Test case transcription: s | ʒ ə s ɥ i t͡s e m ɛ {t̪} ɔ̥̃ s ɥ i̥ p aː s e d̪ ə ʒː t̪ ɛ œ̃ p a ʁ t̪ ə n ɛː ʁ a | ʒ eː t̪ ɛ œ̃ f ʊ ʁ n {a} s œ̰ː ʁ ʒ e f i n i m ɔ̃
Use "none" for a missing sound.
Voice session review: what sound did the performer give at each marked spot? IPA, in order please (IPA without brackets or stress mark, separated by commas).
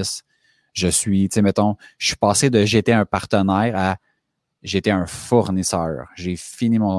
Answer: t̪, i